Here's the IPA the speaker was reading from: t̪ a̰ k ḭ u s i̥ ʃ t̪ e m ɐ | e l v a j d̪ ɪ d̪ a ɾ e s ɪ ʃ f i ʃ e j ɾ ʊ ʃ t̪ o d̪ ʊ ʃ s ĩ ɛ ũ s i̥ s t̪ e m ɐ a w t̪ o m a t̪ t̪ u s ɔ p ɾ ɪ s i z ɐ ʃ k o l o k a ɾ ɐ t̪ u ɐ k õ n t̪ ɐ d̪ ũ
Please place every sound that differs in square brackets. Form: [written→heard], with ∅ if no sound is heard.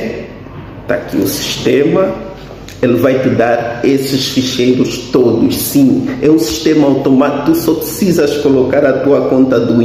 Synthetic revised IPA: t̪ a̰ k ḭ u s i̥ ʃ t̪ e m ɐ | e l v a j [d̪→t̪] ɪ d̪ a ɾ e s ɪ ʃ f i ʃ e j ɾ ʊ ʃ t̪ o d̪ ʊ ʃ s ĩ ɛ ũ s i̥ [s→ʃ] t̪ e m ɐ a w t̪ o m a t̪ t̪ u s ɔ p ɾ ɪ s i z ɐ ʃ k o l o k a ɾ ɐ t̪ u ɐ k õ n t̪ ɐ d̪ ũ